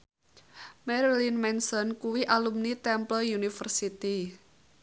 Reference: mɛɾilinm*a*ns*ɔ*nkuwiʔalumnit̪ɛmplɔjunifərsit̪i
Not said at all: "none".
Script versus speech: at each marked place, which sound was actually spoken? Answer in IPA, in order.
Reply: ɛ, ɔ

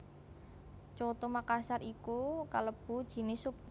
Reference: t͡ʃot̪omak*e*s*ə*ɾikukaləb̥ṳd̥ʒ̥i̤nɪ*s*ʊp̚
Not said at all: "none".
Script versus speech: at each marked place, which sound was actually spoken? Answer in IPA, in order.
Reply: a, a, s

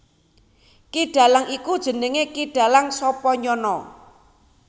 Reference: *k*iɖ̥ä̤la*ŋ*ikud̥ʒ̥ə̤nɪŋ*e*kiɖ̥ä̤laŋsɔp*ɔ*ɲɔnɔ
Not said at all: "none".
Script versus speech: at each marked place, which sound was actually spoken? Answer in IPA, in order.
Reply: k, ŋ, e, ɔ

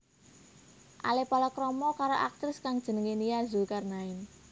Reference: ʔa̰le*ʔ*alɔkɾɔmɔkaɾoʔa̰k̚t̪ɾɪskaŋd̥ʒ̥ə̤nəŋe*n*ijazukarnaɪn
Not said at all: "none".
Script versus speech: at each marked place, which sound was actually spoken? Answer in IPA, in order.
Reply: p, n

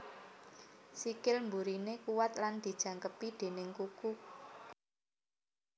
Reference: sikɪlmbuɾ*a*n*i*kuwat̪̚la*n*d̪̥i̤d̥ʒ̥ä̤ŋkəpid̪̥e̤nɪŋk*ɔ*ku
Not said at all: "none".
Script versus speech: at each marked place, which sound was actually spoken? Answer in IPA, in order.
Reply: i, e, n, u

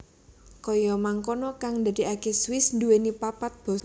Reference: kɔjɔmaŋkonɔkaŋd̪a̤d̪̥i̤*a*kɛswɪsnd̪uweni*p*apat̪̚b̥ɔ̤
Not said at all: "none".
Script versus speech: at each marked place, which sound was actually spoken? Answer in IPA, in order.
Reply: a, p

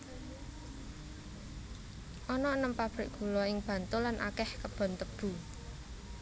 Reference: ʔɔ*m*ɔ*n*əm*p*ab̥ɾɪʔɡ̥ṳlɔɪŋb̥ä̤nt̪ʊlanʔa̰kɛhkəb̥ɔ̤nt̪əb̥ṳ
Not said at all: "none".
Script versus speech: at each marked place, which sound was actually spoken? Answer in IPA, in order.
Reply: n, n, p

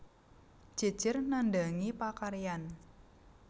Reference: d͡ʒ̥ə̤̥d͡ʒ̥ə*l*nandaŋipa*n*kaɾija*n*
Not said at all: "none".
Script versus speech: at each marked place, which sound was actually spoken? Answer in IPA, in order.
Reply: r, none, n

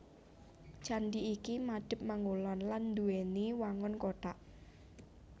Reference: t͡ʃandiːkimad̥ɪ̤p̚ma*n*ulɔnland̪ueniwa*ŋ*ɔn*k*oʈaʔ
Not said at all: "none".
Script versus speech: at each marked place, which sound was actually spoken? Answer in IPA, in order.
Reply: ŋ, ŋ, k

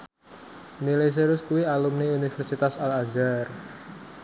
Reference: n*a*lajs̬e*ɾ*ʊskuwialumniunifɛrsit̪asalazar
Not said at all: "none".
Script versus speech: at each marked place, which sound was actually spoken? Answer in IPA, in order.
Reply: i, ɾ

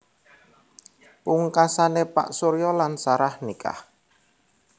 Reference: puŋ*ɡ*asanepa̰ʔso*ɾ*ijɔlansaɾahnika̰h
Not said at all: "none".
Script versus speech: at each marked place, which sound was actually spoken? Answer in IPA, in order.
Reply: k, ɾ

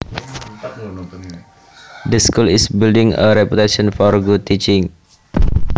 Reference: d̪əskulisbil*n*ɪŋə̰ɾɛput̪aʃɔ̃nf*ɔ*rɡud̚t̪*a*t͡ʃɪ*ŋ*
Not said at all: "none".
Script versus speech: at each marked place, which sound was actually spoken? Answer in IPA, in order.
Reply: d, ɔ, i, ŋ

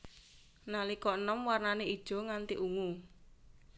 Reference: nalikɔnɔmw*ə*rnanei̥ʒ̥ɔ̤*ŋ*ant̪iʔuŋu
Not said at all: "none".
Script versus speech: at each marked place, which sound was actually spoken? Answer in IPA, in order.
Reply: a, ŋ

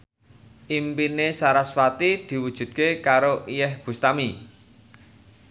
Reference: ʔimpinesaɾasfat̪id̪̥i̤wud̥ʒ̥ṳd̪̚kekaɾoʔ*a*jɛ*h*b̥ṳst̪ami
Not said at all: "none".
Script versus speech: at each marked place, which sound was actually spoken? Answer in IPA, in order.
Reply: i, h

